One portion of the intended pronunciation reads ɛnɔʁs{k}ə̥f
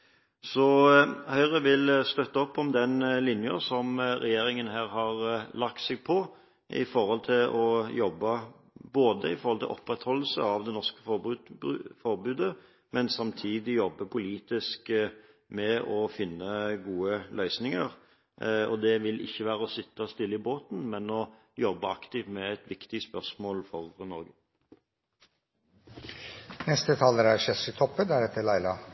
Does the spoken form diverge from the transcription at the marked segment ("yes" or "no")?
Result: no